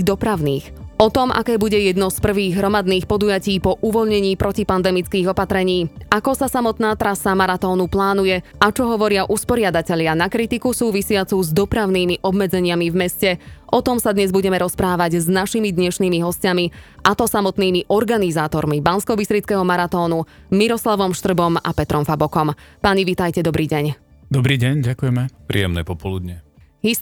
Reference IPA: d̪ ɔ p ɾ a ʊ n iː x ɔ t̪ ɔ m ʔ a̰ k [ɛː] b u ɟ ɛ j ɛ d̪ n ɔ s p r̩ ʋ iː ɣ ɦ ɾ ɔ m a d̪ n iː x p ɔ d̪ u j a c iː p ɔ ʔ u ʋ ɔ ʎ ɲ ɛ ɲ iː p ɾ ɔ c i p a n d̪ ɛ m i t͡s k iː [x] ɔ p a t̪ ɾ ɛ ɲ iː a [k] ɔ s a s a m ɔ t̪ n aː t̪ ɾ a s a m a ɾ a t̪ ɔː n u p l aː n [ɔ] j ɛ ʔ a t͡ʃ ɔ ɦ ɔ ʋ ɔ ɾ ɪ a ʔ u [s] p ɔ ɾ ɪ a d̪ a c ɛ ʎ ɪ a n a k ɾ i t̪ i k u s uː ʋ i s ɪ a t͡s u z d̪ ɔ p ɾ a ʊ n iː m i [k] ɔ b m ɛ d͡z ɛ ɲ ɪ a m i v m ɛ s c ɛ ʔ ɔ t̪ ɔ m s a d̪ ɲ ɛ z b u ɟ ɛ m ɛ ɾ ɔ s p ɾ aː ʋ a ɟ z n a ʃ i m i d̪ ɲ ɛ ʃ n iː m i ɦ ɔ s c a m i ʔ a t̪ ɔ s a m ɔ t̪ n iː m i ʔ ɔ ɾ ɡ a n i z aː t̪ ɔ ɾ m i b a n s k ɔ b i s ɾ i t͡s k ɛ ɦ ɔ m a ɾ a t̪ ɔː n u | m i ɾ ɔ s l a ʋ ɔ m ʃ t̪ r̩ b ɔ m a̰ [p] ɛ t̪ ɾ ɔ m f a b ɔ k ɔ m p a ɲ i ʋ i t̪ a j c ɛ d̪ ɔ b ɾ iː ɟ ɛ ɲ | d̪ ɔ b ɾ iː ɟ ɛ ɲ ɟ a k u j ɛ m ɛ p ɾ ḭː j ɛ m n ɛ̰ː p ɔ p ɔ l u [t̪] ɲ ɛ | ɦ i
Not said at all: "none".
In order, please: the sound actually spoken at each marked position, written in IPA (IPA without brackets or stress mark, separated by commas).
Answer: ɛː, ɣ, k, u, s, ʔ, p, d̪